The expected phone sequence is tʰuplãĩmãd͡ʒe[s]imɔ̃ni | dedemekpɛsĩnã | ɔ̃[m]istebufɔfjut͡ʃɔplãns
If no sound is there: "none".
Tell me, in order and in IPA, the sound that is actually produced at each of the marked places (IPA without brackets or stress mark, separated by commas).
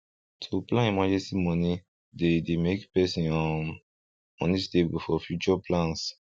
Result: s, n